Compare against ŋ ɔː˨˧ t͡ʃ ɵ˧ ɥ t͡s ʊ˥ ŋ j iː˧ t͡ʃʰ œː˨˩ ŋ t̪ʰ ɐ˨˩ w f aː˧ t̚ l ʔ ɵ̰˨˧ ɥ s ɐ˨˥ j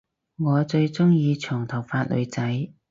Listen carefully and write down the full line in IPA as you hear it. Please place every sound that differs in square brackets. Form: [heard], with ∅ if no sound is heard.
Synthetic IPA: ŋ ɔː˨˧ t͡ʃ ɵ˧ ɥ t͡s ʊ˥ ŋ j iː˧ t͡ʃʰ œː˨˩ ŋ t̪ʰ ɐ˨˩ w f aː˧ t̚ l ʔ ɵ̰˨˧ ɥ [t͡s] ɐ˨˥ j